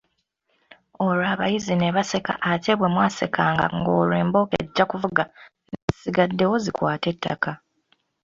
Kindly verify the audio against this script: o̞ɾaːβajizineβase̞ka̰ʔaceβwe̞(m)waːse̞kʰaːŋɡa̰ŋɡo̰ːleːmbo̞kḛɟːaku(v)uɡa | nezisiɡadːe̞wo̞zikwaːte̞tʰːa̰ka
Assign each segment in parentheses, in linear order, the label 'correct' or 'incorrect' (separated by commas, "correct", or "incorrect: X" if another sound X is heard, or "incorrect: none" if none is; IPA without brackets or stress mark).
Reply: correct, correct